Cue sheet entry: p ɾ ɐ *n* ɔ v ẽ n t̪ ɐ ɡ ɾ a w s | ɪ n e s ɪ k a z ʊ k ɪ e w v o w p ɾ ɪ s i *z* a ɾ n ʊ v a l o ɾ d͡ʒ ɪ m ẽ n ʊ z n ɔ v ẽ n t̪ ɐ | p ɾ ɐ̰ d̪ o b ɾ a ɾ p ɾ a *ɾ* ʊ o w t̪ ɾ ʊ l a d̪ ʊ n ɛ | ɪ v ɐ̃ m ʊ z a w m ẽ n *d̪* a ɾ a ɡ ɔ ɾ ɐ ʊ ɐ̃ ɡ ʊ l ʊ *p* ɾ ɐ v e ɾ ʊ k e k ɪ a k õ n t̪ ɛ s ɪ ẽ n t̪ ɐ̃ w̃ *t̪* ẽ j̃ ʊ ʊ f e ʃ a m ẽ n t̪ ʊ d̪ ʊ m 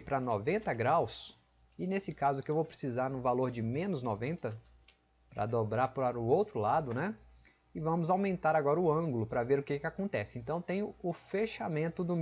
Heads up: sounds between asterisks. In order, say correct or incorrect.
correct, correct, correct, incorrect, correct, correct

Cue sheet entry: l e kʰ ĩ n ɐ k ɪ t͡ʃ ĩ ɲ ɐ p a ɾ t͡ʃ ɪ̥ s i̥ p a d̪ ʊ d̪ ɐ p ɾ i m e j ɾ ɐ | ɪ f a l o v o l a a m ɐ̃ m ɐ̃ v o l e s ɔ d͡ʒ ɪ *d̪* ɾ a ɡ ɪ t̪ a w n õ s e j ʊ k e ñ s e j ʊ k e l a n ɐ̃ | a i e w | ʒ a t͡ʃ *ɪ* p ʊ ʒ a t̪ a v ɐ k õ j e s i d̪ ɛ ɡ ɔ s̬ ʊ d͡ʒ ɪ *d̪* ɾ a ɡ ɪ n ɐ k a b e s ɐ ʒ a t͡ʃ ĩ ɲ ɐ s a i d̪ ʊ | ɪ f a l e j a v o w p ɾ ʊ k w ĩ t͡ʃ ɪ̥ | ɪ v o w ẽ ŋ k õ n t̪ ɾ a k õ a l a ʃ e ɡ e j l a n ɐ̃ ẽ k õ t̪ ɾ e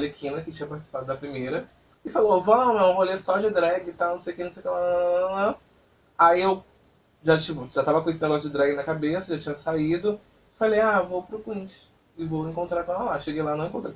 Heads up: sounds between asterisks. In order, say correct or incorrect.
correct, incorrect, correct

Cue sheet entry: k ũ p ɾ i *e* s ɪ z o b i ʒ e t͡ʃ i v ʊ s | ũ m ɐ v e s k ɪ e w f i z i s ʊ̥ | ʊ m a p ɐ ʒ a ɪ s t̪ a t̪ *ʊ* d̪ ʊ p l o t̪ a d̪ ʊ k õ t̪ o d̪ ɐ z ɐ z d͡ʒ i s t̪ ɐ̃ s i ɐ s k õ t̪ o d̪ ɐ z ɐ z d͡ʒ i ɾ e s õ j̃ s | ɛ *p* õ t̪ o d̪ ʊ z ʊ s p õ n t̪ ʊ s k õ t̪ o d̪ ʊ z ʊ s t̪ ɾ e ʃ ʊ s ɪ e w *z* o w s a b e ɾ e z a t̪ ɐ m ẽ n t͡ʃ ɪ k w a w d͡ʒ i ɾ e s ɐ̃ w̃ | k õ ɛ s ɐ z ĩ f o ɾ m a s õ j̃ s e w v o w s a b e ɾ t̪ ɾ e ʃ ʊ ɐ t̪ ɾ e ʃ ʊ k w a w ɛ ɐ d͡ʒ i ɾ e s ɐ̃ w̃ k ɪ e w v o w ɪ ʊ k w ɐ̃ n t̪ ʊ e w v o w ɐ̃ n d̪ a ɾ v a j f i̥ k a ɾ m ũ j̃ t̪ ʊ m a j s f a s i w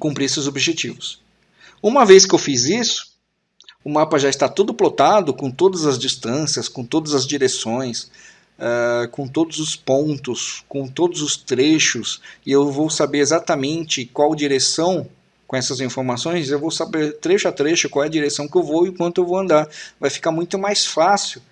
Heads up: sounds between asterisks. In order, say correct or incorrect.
correct, incorrect, incorrect, incorrect

